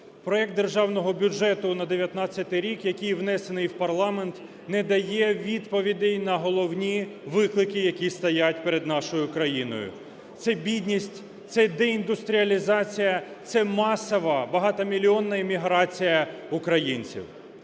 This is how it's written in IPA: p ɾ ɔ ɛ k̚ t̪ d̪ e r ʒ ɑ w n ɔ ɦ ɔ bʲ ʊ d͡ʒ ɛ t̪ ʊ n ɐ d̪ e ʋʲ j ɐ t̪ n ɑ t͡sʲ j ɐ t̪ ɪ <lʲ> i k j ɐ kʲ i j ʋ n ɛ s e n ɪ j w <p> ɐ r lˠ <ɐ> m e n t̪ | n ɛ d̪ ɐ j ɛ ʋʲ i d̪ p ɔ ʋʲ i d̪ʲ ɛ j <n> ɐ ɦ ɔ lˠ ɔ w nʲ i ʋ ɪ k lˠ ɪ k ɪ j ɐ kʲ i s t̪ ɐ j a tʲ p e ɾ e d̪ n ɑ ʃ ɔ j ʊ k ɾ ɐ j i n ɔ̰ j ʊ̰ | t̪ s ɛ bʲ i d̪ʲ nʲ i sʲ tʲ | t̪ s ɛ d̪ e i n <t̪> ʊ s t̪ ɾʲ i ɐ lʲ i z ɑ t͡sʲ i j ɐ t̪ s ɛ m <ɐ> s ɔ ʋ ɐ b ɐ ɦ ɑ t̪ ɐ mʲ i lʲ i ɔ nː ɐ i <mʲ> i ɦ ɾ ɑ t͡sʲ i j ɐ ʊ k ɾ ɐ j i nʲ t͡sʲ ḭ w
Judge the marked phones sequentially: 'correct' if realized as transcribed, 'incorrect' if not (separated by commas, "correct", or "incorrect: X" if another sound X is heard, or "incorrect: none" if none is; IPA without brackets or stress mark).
incorrect: ɾʲ, correct, incorrect: ɑ, correct, incorrect: d̪, incorrect: ɑ, correct